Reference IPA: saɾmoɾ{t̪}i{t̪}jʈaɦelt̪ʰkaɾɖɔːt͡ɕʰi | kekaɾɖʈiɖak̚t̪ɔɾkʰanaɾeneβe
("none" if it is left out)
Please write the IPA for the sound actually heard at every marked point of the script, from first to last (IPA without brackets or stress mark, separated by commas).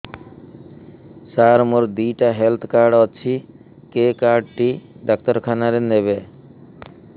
d̪, none